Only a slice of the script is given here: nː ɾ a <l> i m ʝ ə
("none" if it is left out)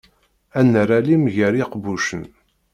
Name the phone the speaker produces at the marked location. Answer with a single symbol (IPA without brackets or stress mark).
l